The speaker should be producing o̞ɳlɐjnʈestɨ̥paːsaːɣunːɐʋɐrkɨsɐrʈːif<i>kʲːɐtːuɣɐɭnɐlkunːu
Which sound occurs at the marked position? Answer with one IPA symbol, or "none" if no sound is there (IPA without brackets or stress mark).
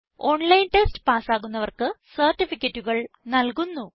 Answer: i